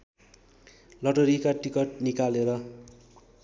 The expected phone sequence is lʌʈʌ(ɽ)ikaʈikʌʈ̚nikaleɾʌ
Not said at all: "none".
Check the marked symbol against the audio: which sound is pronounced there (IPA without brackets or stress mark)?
ɾ